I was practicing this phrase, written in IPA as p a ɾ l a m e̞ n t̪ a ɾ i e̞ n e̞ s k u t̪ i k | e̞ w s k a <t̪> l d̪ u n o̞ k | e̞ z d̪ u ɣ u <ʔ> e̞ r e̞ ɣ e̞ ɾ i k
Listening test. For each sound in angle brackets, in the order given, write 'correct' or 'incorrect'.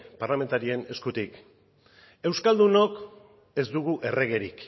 incorrect: none, correct

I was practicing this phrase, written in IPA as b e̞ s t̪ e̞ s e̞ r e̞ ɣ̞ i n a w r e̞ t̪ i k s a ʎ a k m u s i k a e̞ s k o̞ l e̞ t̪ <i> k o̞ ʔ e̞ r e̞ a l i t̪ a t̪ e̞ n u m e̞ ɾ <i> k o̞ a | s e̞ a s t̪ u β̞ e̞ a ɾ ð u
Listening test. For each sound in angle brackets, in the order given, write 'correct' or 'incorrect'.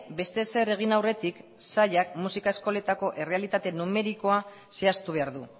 incorrect: a, correct

